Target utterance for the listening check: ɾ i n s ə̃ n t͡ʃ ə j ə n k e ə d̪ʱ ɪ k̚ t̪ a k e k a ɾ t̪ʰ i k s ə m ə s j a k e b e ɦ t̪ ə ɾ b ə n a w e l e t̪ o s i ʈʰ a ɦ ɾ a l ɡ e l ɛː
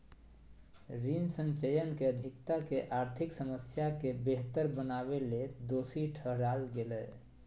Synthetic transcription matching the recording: ɾ i n s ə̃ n t͡ʃ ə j ə n k e ə d̪ʱ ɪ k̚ t̪ a k e ʔ a ɾ t̪ʰ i k s ə m ə s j a k e b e ɦ t̪ ə ɾ b ə n a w e l e d̪ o s i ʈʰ ə ɦ ɾ a l ɡ e l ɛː